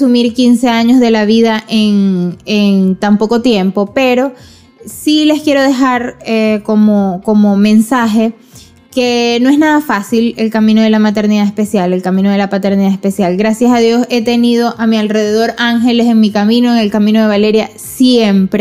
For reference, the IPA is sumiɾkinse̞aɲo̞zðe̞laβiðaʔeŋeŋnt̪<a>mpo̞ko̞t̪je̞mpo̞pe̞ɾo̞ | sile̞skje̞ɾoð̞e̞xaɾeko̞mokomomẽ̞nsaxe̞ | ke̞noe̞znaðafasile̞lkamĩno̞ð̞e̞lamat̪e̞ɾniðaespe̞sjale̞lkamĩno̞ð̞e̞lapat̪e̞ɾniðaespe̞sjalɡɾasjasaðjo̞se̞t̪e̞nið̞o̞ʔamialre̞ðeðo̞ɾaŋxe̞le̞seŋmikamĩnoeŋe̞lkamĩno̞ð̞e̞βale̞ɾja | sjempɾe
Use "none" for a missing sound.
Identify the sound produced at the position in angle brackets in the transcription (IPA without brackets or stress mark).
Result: a